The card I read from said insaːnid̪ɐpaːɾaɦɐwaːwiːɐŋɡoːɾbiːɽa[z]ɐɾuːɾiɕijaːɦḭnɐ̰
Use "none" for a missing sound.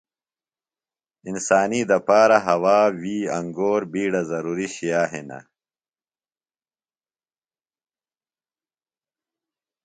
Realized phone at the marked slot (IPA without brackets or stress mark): z